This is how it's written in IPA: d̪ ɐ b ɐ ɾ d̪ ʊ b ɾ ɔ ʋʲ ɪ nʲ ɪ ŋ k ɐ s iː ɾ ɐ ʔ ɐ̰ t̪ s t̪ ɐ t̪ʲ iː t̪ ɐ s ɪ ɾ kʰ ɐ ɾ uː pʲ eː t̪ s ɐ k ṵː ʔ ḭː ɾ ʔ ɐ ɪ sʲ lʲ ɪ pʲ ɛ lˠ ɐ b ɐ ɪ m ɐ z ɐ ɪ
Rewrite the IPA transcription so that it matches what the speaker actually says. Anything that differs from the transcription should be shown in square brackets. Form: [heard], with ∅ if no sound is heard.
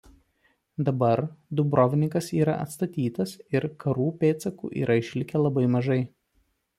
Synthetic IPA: d̪ ɐ b ɐ ɾ d̪ ʊ b ɾ ɔ ʋʲ ɪ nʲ ɪ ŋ k ɐ s iː ɾ ɐ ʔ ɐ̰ t̪ s t̪ ɐ t̪ʲ iː t̪ ɐ s ɪ ɾ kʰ ɐ ɾ uː pʲ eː t̪ s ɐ k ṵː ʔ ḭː ɾ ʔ ɐ ɪ [ʃʲ] lʲ ɪ [kʲ] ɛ lˠ ɐ b ɐ ɪ m ɐ [ʒ] ɐ ɪ